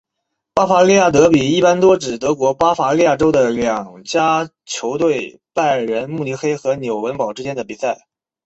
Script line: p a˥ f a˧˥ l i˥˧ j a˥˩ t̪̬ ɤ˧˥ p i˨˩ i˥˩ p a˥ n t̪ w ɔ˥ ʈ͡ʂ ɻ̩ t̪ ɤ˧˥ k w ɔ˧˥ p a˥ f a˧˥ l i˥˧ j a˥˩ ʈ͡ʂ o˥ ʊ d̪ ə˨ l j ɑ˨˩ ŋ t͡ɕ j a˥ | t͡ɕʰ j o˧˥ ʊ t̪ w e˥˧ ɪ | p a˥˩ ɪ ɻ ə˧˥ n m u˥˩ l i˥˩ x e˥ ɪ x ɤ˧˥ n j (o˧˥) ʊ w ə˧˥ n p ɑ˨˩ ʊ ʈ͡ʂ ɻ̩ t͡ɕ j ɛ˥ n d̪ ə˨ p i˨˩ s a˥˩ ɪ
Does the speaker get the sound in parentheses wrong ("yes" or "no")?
yes